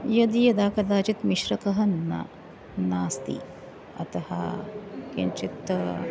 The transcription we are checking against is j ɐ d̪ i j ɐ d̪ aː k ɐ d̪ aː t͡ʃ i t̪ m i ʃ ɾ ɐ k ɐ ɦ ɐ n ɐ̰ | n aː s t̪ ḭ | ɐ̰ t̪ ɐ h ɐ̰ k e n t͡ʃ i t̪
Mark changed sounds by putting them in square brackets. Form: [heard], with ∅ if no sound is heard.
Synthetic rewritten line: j ɐ d̪ i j ɐ d̪ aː k ɐ d̪ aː t͡ʃ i t̪ m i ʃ ɾ ɐ k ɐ ɦ ɐ n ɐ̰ | n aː s t̪ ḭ | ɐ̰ t̪ ɐ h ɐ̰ k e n t͡ʃ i t̪